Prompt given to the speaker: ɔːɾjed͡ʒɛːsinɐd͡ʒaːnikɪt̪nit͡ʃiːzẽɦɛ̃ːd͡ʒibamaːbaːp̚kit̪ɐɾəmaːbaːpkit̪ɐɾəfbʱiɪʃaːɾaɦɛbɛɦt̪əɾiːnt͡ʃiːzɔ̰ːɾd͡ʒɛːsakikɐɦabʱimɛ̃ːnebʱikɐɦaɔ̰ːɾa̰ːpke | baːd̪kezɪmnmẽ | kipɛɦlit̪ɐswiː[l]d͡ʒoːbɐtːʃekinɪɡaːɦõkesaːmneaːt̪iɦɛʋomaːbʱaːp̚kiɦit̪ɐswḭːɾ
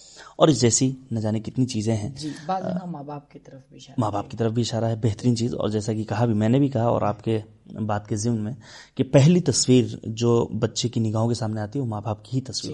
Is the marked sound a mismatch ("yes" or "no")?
yes